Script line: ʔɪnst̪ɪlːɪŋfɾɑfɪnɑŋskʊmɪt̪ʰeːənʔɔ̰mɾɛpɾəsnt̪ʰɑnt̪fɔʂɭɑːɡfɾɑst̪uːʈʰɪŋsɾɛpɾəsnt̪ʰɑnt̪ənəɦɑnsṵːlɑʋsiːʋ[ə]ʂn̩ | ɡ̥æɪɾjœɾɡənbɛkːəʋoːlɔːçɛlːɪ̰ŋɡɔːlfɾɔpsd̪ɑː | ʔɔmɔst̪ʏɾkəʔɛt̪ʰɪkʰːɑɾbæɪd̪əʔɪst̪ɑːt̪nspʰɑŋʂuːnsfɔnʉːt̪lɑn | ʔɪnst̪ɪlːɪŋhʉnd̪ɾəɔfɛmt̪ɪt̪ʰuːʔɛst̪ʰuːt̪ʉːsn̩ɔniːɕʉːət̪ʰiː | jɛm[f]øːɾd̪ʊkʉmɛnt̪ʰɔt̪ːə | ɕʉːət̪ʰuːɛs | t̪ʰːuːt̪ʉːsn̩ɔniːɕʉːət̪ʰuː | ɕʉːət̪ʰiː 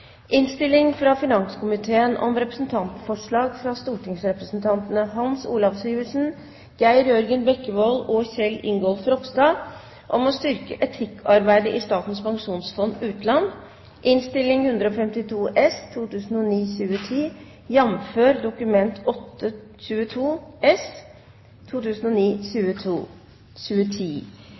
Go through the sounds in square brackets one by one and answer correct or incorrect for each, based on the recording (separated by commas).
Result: correct, correct